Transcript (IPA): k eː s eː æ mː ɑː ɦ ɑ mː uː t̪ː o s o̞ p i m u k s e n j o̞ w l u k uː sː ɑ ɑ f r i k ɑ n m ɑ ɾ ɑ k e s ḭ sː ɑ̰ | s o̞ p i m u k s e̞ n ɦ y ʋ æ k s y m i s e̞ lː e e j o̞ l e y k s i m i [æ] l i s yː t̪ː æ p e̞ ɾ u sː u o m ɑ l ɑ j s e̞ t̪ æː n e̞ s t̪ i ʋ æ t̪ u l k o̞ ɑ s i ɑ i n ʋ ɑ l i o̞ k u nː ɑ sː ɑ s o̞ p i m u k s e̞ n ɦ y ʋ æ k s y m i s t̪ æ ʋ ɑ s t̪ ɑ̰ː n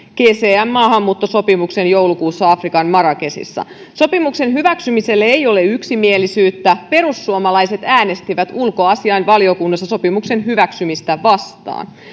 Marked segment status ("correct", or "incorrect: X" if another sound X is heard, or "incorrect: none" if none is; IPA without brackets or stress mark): incorrect: e